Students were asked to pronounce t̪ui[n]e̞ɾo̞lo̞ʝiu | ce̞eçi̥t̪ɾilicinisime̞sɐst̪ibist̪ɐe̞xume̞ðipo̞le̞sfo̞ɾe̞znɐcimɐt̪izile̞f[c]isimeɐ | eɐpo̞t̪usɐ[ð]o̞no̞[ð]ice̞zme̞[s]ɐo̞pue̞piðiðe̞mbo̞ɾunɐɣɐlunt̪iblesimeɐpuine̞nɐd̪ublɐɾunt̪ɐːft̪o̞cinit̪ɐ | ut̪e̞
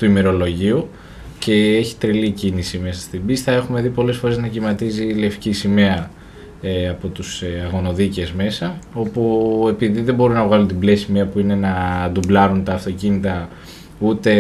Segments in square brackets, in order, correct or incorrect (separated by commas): incorrect, correct, incorrect, correct, correct